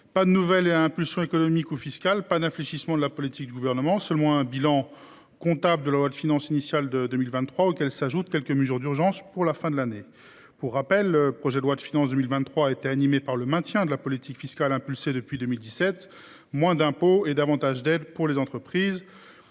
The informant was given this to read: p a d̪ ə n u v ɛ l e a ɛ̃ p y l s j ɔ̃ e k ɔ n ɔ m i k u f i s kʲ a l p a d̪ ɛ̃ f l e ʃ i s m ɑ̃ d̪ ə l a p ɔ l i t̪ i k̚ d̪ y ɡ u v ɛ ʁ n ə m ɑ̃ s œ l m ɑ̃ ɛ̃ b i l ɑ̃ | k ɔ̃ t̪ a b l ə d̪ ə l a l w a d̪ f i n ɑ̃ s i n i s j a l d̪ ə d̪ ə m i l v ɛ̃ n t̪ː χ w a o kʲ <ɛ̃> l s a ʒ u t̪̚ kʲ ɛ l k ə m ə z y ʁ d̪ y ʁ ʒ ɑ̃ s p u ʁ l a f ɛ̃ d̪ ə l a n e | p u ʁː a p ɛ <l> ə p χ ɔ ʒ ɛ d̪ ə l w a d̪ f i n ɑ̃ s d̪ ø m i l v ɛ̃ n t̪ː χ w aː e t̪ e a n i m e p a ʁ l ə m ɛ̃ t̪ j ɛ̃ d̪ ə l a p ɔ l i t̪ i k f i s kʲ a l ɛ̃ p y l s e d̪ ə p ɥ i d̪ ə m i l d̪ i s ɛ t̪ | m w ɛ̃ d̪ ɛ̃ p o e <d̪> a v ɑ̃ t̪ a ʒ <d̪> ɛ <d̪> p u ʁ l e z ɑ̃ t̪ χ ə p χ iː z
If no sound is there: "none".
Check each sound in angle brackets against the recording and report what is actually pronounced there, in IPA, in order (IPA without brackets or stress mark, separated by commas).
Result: ɛ, lː, d̪, d̪, d̪